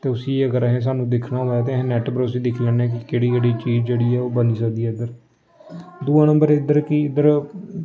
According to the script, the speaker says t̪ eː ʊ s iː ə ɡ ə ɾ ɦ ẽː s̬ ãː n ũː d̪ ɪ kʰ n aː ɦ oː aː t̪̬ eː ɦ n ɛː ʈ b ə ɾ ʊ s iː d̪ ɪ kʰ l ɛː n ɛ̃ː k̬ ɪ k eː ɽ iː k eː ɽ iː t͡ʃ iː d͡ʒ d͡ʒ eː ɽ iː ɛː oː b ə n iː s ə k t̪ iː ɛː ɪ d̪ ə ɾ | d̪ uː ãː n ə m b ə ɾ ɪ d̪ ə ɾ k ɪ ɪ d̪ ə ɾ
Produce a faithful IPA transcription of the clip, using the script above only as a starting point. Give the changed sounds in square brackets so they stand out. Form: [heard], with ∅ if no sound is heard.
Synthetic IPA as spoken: t̪ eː ʊ s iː ə ɡ ə ɾ ɦ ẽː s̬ [aː] n ũː d̪ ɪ kʰ n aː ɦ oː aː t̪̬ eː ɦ n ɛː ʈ b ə ɾ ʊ s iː d̪ ɪ kʰ l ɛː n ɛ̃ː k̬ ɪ k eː ɽ iː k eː ɽ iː t͡ʃ iː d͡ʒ d͡ʒ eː ɽ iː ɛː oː b ə n iː s ə k [d̪] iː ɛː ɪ d̪ ə ɾ | d̪ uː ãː n ə m b ə ɾ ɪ d̪ ə ɾ k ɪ ɪ d̪ ə ɾ